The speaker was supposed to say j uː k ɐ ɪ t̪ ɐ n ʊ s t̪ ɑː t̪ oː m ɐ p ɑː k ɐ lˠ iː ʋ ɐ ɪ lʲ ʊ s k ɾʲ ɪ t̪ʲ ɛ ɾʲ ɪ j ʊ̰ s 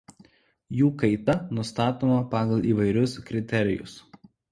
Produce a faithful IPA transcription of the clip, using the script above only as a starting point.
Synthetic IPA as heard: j uː k ɐ ɪ t̪ ɐ n ʊ s t̪ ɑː t̪ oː m ɐ p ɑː ɡ ɐ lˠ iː ʋ ɐ ɪ ɾʲ ʊ s k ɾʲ ɪ t̪ʲ ɛ ɾʲ ɪ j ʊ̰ s